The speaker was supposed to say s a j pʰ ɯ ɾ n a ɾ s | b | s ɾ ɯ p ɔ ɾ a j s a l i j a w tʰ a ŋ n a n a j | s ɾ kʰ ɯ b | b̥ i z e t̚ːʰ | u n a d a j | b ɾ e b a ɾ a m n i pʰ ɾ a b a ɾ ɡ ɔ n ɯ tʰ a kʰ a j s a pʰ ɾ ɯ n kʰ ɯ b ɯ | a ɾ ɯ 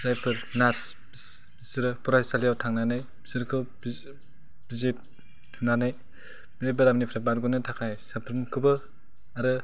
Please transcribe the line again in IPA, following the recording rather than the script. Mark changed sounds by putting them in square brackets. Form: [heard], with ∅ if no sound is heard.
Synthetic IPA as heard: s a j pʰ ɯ ɾ n a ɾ s | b | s ɾ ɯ p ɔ ɾ a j s a l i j a w tʰ a ŋ n a n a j | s ɾ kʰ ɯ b | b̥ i z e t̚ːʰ | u n a [n] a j | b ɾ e b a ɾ a m n i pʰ ɾ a b a ɾ ɡ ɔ n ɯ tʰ a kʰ a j s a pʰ ɾ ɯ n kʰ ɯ b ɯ | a ɾ ɯ